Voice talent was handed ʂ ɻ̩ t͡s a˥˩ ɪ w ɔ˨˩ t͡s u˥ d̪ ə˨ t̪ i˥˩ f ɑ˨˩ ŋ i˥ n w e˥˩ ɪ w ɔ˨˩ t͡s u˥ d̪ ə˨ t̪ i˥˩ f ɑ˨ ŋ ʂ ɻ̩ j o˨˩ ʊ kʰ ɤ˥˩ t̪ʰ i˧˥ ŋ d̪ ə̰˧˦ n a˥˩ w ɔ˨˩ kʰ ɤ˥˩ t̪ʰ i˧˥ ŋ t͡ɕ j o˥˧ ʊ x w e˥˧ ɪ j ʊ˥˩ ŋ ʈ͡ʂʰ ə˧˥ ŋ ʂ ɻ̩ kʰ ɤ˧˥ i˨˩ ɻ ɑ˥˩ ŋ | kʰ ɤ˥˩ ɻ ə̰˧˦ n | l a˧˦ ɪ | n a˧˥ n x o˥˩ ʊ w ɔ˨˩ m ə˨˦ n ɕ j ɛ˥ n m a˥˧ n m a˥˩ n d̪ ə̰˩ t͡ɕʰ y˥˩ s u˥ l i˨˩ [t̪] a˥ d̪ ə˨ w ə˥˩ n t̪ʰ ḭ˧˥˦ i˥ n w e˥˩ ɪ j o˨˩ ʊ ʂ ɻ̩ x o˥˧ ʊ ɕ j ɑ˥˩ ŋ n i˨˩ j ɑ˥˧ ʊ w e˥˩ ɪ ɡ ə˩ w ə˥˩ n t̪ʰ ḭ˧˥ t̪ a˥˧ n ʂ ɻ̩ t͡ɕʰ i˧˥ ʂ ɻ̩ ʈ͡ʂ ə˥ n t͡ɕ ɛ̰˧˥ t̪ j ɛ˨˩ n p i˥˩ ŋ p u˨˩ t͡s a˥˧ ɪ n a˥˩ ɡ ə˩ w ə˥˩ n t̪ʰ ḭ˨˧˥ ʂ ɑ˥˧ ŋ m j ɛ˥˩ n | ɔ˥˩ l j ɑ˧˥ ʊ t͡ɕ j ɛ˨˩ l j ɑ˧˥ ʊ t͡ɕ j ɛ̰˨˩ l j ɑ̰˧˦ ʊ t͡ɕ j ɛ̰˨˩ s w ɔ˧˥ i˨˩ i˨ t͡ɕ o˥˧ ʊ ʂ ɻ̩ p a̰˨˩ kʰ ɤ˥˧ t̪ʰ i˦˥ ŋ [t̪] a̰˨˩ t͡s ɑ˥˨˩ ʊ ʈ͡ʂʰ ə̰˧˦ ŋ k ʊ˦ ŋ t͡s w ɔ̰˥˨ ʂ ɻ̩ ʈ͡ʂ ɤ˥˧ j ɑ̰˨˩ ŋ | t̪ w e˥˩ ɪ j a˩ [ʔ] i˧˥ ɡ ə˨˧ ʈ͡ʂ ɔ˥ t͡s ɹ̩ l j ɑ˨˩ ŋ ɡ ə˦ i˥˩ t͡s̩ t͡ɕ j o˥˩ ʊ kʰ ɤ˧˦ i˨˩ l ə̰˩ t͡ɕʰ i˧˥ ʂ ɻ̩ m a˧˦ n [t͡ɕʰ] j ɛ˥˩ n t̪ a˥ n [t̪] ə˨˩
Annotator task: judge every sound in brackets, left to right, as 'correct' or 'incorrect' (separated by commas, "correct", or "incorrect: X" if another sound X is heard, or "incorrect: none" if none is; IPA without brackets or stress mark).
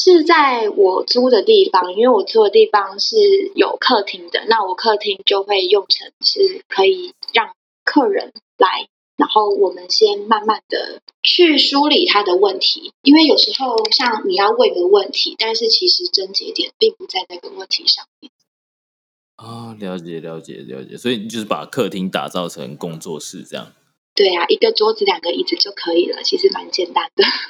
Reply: incorrect: t̪ʰ, correct, correct, incorrect: t͡ɕ, incorrect: d̪